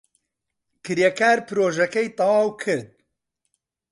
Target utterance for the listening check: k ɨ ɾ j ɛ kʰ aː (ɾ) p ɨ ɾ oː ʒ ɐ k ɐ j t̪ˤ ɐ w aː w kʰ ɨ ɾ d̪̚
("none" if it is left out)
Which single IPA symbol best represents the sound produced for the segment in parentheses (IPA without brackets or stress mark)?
ɾ